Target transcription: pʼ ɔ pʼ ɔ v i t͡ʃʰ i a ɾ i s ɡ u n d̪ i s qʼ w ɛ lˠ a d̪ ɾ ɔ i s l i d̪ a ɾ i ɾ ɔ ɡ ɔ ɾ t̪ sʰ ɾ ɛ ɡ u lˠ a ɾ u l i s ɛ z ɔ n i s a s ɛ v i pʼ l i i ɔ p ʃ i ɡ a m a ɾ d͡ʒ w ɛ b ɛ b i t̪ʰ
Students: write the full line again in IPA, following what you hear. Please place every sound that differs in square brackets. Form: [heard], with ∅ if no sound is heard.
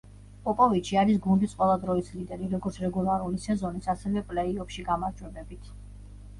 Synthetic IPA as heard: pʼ ɔ pʼ ɔ v i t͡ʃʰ i a ɾ i s ɡ u n d̪ i s qʼ w ɛ lˠ a d̪ ɾ ɔ i s l i d̪ [ɛ] ɾ i ɾ ɔ ɡ ɔ ɾ t̪ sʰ ɾ ɛ ɡ u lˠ a ɾ u l i s ɛ z ɔ n i s a s ɛ v [ɛ] pʼ l [ɛ] i ɔ p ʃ i ɡ a m a ɾ d͡ʒ w ɛ b ɛ b i t̪ʰ